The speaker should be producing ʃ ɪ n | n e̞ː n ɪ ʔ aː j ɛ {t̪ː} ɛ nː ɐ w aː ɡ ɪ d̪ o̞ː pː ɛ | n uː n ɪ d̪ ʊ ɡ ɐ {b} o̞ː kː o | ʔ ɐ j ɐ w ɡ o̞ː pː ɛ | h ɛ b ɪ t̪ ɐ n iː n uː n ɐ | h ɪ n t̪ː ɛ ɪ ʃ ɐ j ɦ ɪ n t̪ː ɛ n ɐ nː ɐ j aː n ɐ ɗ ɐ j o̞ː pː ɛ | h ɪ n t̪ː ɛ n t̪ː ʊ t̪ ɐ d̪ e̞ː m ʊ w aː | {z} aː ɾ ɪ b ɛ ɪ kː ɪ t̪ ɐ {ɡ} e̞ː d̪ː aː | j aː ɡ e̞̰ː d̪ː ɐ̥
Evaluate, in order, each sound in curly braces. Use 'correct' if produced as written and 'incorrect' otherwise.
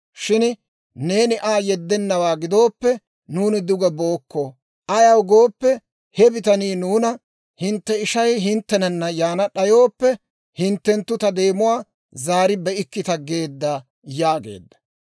incorrect: d̪ː, correct, correct, correct

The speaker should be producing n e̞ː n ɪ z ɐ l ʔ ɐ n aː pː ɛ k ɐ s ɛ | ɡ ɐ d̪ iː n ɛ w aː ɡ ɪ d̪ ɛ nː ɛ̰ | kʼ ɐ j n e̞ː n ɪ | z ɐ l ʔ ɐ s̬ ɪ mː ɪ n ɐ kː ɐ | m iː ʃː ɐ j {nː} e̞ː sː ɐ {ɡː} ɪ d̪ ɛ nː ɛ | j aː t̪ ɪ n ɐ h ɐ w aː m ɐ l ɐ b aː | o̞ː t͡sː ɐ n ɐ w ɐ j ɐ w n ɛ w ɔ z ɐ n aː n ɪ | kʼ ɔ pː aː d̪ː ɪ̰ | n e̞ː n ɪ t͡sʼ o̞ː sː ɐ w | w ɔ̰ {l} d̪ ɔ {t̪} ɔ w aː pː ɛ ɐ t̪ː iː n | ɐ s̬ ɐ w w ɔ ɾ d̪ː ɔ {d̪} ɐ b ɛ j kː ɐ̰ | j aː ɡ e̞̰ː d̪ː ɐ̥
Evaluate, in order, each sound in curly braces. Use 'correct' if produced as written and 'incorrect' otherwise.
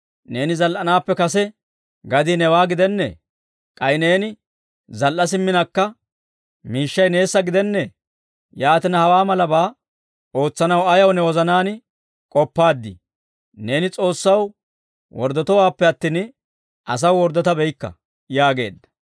incorrect: n, incorrect: ɡ, incorrect: ɾ, correct, incorrect: t̪

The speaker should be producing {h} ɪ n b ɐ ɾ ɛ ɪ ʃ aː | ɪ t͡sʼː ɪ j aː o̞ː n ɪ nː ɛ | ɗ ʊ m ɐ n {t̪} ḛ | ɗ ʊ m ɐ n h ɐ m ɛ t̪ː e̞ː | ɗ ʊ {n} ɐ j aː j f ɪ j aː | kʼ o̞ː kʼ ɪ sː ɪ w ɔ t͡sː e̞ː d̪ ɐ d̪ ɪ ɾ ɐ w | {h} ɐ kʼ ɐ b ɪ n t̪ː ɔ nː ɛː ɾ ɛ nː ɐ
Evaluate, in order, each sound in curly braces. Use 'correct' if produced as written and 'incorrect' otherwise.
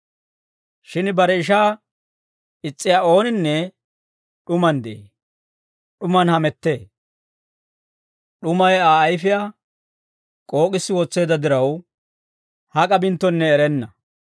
incorrect: ʃ, incorrect: d̪, incorrect: m, correct

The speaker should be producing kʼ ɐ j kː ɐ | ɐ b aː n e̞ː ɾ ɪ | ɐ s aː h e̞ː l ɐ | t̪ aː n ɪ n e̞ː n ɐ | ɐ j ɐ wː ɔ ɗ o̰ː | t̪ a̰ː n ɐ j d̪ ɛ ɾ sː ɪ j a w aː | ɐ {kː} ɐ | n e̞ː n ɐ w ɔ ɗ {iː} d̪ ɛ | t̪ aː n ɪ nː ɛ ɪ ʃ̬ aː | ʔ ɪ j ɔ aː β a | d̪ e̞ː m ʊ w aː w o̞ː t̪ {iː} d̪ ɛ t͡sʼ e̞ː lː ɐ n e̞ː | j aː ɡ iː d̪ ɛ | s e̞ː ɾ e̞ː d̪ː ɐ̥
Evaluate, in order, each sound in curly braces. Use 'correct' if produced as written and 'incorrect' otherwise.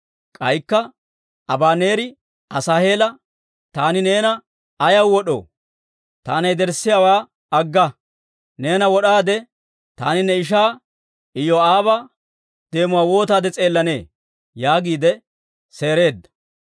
incorrect: ɡː, incorrect: aː, incorrect: aː

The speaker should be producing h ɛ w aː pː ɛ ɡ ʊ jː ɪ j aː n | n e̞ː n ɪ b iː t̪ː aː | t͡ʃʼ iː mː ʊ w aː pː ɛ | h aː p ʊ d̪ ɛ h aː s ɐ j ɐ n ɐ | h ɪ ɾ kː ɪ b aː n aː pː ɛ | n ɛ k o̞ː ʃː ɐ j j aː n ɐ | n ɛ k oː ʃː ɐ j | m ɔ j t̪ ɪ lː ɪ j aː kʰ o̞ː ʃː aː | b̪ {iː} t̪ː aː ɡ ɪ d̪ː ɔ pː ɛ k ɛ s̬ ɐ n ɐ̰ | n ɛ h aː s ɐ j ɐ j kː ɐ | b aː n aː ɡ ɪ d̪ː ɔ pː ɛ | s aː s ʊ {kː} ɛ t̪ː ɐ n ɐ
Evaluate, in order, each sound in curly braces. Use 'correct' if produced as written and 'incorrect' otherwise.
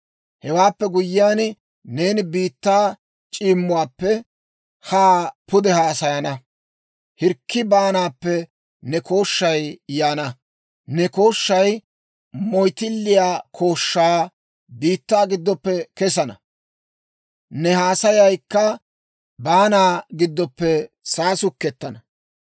correct, correct

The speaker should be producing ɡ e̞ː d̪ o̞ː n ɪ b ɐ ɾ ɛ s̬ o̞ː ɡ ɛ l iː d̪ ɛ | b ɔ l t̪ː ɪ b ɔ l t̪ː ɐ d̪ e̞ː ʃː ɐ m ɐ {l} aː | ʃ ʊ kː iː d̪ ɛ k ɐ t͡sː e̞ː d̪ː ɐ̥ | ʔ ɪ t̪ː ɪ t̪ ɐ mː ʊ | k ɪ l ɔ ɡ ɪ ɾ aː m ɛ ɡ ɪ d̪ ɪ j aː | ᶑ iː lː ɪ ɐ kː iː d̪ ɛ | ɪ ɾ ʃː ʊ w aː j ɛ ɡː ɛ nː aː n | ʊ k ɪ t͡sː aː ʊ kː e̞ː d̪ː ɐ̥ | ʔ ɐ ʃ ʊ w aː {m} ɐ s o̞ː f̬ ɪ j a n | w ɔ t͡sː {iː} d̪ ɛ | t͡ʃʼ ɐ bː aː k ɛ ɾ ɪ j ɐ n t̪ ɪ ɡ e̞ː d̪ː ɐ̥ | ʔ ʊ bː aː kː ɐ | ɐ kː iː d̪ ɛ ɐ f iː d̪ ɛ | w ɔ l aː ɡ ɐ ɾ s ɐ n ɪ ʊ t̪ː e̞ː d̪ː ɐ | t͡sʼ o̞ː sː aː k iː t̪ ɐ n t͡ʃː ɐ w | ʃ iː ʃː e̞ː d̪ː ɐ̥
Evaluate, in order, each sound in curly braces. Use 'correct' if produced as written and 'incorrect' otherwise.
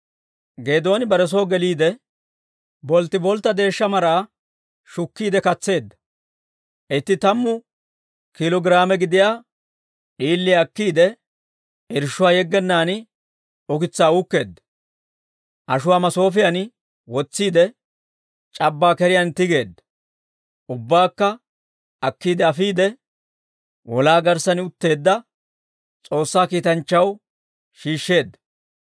incorrect: ɾ, correct, correct

